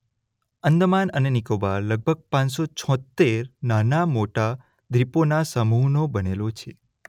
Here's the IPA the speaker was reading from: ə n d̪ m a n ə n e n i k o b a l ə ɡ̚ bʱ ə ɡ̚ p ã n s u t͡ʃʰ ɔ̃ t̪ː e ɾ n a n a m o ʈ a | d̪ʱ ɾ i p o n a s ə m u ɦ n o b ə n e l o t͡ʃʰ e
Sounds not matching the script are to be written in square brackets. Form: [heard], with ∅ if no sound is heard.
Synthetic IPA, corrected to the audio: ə n d̪ m a n ə n e n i k o b a l ə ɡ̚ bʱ ə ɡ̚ p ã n s [o] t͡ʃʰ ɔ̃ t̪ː e ɾ n a n a m o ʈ a | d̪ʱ ɾ i p o n a s ə m u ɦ n o b ə n e l o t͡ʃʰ e